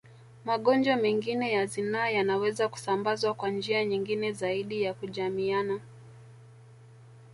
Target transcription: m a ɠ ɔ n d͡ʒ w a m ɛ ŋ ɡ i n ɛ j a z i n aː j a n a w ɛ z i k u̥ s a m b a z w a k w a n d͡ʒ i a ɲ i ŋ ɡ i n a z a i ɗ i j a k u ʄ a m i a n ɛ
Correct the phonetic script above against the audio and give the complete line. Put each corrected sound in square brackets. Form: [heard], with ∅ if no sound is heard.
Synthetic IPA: m a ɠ ɔ n d͡ʒ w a m ɛ ŋ ɡ i n ɛ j a z i n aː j a n a w ɛ z [a] k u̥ s a m b a z w a k w a n d͡ʒ i a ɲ i ŋ ɡ i n [ɛ] z a i ɗ i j a k u ʄ a m i a n [a]